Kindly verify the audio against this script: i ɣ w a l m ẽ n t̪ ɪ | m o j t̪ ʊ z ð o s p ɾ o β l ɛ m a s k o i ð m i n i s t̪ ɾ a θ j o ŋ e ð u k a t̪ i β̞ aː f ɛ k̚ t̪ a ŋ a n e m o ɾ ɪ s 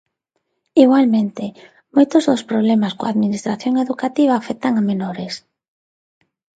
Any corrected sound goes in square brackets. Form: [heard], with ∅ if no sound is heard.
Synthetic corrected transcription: i ɣ w a l m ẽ n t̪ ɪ | m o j t̪ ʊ z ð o s p ɾ o β l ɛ m a s k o [a] ð m i n i s t̪ ɾ a θ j o ŋ e ð u k a t̪ i β̞ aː f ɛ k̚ t̪ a ŋ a [m] e [n] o ɾ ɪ s